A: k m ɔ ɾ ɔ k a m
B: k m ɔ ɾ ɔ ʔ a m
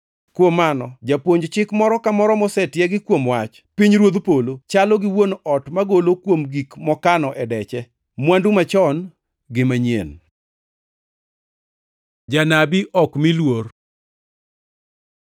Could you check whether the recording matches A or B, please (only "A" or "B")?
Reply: A